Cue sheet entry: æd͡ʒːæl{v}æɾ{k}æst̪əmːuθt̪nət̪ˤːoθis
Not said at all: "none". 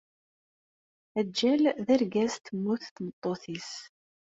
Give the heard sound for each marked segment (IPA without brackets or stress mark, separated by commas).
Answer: ð, ɡ